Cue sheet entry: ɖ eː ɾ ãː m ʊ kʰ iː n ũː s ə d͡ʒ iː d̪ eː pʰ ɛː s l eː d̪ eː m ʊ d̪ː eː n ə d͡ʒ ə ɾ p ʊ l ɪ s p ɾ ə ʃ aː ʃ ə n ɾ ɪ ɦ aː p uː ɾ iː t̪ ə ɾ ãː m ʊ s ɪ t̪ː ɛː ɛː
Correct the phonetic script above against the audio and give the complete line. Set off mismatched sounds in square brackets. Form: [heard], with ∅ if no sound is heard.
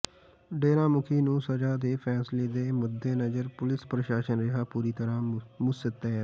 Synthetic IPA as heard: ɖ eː ɾ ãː m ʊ kʰ iː n ũː s ə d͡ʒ [aː] d̪ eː pʰ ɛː s l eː d̪ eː m ʊ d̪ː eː n ə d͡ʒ ə ɾ p ʊ l ɪ s p ɾ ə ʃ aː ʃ ə n ɾ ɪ ɦ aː p uː ɾ iː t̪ ə ɾ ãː m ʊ s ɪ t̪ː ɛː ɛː